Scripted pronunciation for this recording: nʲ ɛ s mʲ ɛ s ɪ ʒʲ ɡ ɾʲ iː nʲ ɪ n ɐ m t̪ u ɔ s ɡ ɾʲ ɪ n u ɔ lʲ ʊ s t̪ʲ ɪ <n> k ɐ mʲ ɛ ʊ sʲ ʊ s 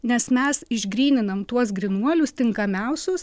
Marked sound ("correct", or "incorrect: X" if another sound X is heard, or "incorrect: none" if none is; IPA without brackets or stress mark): incorrect: ŋ